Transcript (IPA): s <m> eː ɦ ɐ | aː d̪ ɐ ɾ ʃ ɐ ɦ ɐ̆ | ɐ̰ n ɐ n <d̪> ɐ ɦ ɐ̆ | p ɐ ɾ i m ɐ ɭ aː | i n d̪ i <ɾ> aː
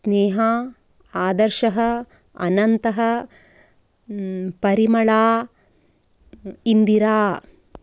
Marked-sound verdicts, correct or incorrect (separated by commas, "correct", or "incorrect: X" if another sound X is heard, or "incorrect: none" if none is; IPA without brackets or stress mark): incorrect: n, incorrect: t̪, correct